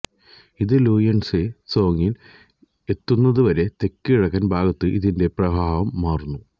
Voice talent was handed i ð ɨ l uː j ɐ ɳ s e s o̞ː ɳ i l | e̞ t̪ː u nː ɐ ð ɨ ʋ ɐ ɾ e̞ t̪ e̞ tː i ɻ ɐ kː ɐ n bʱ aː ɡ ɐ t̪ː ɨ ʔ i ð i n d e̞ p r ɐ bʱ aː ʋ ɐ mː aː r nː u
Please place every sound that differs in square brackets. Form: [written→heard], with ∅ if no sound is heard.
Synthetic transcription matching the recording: i ð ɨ l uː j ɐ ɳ s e s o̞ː [ɳ→ŋ] i l | e̞ t̪ː u nː ɐ ð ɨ ʋ ɐ ɾ e̞ t̪ e̞ [tː→kː] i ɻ ɐ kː ɐ n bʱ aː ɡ ɐ t̪ː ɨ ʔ i ð i n d e̞ p r ɐ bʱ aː ʋ ɐ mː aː r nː u